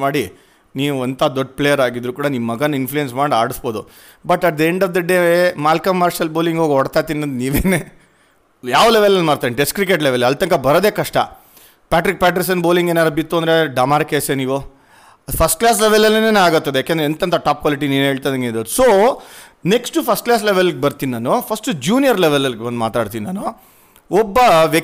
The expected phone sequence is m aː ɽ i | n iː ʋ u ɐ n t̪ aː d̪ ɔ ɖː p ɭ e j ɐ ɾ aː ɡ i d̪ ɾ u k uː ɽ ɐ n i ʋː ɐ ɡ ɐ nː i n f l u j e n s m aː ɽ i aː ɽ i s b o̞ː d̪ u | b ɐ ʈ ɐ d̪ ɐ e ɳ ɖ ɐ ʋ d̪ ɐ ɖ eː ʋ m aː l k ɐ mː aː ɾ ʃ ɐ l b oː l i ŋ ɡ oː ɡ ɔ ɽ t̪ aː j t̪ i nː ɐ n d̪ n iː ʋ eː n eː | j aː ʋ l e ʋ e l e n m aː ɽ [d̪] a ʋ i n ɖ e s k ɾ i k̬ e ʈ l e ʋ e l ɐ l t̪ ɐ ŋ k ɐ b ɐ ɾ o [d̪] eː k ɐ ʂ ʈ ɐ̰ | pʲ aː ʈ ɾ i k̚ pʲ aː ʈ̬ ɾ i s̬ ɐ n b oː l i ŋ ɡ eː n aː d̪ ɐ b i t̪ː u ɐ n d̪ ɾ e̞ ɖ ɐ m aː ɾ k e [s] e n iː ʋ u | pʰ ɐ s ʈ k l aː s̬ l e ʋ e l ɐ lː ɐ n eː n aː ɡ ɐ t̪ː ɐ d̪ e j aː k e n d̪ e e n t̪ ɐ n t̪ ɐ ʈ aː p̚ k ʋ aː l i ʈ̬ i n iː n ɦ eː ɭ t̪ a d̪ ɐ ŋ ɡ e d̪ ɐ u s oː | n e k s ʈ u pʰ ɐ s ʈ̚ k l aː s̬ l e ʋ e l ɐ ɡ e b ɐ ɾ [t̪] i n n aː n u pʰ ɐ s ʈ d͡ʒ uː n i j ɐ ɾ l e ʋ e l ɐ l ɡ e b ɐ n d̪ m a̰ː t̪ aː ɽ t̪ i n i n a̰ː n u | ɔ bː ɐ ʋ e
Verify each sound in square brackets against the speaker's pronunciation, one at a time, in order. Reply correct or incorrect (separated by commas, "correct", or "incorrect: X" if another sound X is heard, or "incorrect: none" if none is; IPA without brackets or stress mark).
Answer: incorrect: t̪, correct, correct, correct